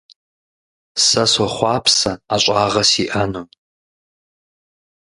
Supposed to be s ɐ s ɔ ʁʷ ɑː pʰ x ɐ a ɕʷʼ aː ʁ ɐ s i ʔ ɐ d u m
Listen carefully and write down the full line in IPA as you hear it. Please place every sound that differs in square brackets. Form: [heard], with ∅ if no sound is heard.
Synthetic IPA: s ɐ s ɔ [χʷ] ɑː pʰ [s] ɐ a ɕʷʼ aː ʁ ɐ s i ʔ ɐ [n] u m